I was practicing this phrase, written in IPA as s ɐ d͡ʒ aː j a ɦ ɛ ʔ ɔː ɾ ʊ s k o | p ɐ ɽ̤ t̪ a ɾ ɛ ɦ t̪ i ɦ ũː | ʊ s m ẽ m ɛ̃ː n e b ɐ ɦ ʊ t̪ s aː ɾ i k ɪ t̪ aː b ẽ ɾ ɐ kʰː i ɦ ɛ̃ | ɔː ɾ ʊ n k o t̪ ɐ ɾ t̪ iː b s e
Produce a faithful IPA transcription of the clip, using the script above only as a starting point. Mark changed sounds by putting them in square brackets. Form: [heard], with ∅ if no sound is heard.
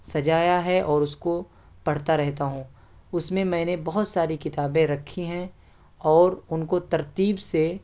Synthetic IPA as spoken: s ɐ d͡ʒ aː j a ɦ ɛ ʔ ɔː ɾ ʊ s k o | p ɐ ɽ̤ t̪ a ɾ ɛ ɦ t̪ [a] ɦ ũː | ʊ s m ẽ m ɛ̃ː n e b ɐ ɦ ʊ t̪ s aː ɾ i k ɪ t̪ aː b ẽ ɾ ɐ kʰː i ɦ ɛ̃ | ɔː ɾ ʊ n k o t̪ ɐ ɾ t̪ iː b s e